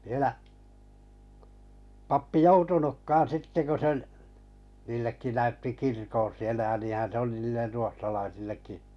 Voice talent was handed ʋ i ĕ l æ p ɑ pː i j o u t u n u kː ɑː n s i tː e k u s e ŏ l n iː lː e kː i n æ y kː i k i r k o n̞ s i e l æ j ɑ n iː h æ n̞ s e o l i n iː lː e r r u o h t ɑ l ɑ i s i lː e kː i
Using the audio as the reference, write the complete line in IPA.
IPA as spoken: ʋ i ĕ l æ p ɑ pː i j o u t u n u kː ɑː n s i tː e k u s e ŏ l n iː lː e kː i n æ y tː i k i r k o n̞ s i e l æ j ɑ n iː h æ n̞ s e o l i n iː lː e r r u o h t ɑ l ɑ i s i lː e kː i